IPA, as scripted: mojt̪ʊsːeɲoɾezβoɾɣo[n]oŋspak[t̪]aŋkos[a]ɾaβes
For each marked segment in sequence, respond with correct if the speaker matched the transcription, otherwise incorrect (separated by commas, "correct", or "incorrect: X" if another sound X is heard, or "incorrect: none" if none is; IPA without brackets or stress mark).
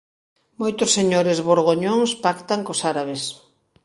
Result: incorrect: ɲ, correct, correct